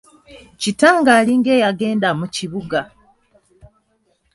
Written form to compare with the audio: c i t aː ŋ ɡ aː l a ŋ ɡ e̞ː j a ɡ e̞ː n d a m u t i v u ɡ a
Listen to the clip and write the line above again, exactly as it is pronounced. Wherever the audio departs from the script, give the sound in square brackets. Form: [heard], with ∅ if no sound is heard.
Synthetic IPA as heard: c i t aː ŋ ɡ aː l [i] ŋ ɡ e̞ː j a ɡ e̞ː n d a m u [c] i [β] u ɡ a